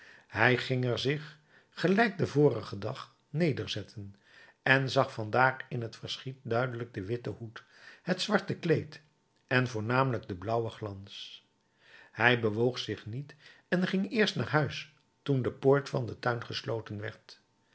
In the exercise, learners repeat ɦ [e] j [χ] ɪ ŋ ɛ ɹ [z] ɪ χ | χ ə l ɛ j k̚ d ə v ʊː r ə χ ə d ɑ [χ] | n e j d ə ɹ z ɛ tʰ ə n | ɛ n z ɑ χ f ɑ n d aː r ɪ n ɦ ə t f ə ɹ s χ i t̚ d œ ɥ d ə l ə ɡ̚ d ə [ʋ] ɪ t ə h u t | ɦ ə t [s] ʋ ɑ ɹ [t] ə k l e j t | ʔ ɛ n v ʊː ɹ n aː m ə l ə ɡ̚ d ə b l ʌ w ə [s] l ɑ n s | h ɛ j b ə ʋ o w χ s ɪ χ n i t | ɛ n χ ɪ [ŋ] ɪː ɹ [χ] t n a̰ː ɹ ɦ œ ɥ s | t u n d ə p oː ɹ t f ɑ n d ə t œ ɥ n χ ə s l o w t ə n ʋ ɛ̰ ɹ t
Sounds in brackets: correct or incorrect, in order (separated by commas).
incorrect, correct, correct, correct, correct, correct, correct, incorrect, correct, incorrect